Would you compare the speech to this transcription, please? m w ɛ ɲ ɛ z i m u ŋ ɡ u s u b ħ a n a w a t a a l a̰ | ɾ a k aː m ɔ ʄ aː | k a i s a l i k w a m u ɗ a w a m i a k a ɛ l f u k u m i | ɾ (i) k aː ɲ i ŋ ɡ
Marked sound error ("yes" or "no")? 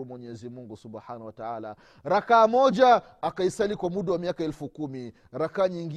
yes